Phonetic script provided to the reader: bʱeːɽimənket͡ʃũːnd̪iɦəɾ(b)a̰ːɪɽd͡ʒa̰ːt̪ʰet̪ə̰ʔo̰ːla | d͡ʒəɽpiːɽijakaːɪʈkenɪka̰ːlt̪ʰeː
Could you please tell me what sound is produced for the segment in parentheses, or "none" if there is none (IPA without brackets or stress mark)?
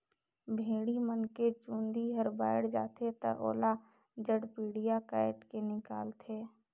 b